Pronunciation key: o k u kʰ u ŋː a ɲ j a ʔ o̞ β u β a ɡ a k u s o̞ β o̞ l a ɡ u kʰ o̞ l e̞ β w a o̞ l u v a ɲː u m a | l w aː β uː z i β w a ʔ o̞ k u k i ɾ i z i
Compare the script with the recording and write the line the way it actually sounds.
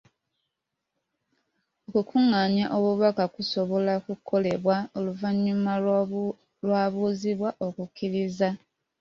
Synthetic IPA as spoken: o k u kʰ u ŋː a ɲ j a ʔ o̞ β u β a k a k u s o̞ β o̞ l a k u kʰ o̞ l e̞ β w a o̞ l u v a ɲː u m a | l w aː β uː z i β w a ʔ o̞ k u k i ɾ i z a

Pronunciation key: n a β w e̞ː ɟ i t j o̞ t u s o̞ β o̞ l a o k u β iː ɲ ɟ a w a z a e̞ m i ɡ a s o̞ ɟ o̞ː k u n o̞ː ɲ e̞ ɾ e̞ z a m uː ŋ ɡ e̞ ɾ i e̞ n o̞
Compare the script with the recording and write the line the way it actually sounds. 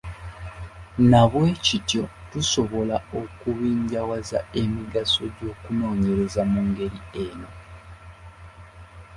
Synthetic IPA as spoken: n a β w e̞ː c i t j o̞ t u s o̞ β o̞ l a o k u β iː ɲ ɟ a w a z a e̞ m i ɡ a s o̞ ɟ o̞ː k u n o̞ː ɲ e̞ ɾ e̞ z a m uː ŋ ɡ e̞ ɾ i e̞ n o̞

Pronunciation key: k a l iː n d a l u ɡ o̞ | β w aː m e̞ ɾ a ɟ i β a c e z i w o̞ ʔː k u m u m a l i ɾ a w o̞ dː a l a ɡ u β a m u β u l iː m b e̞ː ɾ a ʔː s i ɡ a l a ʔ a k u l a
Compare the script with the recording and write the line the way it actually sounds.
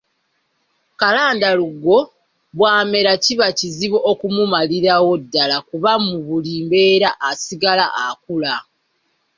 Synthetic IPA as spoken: k a l aː n d a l u ɡ o̞ | β w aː m e̞ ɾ a c i β a c i z i β o̞ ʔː k u m u m a l i ɾ a w o̞ dː a l a k u β a m u β u l iː m b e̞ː ɾ a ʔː s i ɡ a l a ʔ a k u l a

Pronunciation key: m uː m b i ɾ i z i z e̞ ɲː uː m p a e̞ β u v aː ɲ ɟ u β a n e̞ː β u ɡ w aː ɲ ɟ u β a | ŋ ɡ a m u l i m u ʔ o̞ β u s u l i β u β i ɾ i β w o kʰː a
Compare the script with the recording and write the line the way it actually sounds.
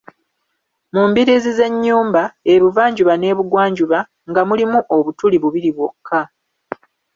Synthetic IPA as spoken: m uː m b i ɾ i z i z e̞ ɲː uː m b a e̞ β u v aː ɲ ɟ u β a n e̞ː β u ɡ w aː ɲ ɟ u β a | ŋ ɡ a m u l i m u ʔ o̞ β u t u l i β u β i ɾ i β w o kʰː a

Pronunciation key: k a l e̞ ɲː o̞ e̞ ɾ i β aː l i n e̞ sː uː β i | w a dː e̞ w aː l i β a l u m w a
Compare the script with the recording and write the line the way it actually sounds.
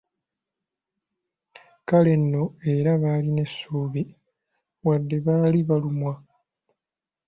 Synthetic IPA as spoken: k a l e̞ nː o̞ e̞ ɾ a β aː l i n e̞ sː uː β i | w a dː e̞ β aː l i β a l u m w a

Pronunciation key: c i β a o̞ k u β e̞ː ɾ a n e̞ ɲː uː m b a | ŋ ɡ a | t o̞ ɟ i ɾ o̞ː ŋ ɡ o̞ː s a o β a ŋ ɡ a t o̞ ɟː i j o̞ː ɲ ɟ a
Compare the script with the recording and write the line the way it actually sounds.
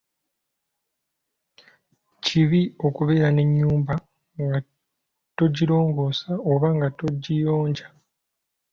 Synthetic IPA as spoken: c i β i o̞ k u β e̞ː ɾ a n e̞ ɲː uː m b a | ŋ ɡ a | t o̞ ɟ i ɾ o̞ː ŋ ɡ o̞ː s a o β a ŋ ɡ a t o̞ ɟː i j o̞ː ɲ ɟ a

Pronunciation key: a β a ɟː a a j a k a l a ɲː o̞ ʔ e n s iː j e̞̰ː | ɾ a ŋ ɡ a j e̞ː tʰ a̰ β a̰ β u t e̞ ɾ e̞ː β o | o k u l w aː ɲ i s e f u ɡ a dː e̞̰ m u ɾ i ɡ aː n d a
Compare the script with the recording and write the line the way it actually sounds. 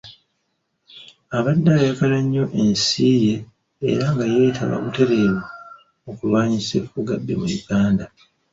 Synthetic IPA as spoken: a β a dː a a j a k a l a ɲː o̞ ʔ e n s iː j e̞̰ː | ɾ a ŋ ɡ a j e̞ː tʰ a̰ β a̰ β u t e̞ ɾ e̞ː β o | o k u l w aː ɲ i s e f u ɡ a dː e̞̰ m u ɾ i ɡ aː n d a

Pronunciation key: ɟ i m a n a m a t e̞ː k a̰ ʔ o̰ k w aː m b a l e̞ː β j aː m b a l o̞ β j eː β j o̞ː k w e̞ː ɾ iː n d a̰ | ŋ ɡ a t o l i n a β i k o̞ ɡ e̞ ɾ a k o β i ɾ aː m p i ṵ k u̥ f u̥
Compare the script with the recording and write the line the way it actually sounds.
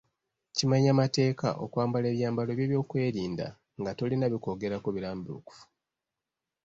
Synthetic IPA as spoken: c i m a ɲ a m a t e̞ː k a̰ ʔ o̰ k w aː m b a l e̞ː β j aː m b a l o̞ β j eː β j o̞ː k w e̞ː ɾ iː n d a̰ | ŋ ɡ a t o l i n a β i k o̞ ɡ e̞ ɾ a k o β i ɾ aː m b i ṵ k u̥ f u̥

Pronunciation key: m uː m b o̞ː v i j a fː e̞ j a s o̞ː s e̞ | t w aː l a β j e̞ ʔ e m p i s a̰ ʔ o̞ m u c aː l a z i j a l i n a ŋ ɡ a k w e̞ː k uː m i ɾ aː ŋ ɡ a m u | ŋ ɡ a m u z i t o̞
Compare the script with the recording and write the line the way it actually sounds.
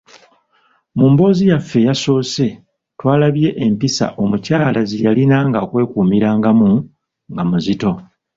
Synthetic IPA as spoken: m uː m b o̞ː z i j a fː e̞ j a s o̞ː s e̞ | t w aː l a β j e̞ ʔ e m p i s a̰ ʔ o̞ m u c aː l a z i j a l i n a ŋ ɡ a k w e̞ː k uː m i ɾ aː ŋ ɡ a m u | ŋ ɡ a m u z i t o̞

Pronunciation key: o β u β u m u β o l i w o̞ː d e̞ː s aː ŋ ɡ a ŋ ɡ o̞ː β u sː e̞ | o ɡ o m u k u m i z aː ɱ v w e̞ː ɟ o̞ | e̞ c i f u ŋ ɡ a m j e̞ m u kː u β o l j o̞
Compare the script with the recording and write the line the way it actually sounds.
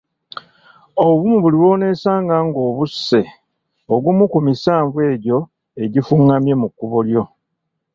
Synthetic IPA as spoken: o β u β u m u β u l i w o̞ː n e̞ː s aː ŋ ɡ a ŋ ɡ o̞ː β u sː e̞ | o ɡ u m u k u m i s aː ɱ v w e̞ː ɟ o̞ | e̞ ɟ i f u ŋ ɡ a m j e̞ m u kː u β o l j o̞

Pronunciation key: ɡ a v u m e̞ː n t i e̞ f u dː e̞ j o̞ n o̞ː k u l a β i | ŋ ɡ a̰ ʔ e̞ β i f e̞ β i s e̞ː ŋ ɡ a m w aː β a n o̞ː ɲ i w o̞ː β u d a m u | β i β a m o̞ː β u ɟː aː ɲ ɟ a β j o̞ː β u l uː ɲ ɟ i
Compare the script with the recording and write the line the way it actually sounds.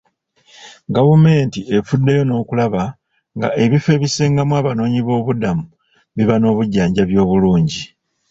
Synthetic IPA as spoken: ɡ a v u m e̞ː n t i e̞ f u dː e̞ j o̞ n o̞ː k u l a β a | ŋ ɡ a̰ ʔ e̞ β i f e̞ β i s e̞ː ŋ ɡ a m w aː β a n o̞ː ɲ i β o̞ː β u d a m u | β i β a n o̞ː β u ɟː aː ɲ ɟ a β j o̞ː β u l uː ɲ ɟ i

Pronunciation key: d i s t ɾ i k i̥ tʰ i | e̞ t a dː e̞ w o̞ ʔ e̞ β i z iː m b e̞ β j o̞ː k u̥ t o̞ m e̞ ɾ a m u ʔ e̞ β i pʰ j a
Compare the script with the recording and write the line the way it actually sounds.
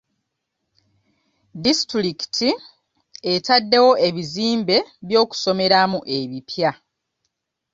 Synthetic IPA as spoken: d i s t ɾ i k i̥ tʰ i | e̞ t a dː e̞ w o̞ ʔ e̞ β i z iː m b e̞ β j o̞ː k u̥ s o̞ m e̞ ɾ a m u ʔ e̞ β i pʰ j a

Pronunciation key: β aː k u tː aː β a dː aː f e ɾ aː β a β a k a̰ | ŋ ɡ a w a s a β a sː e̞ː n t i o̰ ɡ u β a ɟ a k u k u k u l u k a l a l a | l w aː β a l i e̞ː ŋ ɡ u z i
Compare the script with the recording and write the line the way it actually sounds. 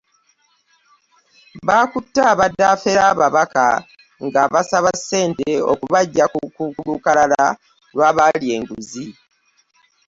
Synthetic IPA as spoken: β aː k u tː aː β a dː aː f e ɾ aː β a β a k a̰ | ŋ ɡ a β a s a β a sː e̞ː n t e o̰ k u β a ɟː a k u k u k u l u k a l a l a | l w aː β a l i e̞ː ŋ ɡ u z i

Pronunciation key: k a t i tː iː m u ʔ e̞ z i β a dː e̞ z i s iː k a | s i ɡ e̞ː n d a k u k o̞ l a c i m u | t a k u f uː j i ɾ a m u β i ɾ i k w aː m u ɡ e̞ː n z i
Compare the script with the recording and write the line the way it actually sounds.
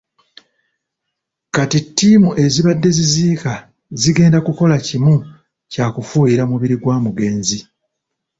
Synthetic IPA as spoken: k a t i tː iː m u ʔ e̞ z i β a dː e̞ z i z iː k a | z i ɡ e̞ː n d a k u k o̞ l a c i m u | c a k u f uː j i ɾ a m u β i ɾ i ɡ w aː m u ɡ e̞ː n z i

